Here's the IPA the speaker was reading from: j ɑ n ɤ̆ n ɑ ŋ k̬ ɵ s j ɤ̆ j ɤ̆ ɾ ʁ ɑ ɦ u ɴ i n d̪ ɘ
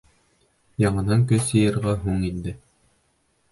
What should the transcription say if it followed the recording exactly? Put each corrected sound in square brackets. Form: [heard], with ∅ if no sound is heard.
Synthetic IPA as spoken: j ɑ [ɴ] ɤ̆ n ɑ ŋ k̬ ɵ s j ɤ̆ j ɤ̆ ɾ ʁ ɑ ɦ u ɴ i n d̪ ɘ